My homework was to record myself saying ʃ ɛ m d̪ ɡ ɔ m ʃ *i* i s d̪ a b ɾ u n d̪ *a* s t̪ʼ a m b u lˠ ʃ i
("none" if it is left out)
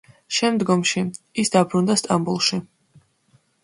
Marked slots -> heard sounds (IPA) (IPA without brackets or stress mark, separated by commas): i, a